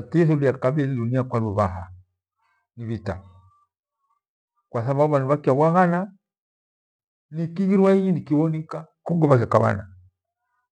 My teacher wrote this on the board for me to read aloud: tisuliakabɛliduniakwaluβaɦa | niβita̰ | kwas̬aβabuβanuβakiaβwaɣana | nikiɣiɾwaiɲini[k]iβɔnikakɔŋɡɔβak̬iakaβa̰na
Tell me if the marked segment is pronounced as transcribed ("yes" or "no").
yes